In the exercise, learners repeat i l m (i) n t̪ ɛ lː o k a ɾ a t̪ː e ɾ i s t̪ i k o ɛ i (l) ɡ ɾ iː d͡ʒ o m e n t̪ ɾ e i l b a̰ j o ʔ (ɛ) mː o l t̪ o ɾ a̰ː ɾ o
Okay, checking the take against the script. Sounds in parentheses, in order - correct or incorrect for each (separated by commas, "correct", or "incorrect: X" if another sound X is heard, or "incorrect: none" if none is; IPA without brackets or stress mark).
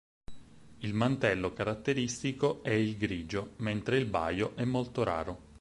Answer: incorrect: a, correct, correct